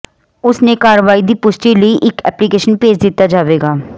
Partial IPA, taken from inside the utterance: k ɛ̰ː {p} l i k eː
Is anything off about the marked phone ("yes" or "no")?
no